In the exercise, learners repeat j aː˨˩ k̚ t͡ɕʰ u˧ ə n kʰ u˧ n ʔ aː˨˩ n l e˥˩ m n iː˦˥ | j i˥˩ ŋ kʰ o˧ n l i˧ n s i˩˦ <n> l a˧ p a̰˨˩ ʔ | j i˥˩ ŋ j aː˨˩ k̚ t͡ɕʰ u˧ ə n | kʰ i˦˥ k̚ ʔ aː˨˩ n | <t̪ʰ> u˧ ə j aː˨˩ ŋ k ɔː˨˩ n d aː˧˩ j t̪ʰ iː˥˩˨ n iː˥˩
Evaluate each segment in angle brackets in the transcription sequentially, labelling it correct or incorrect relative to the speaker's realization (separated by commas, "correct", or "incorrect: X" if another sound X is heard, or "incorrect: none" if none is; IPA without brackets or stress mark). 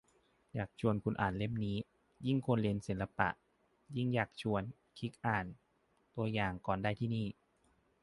correct, incorrect: t̪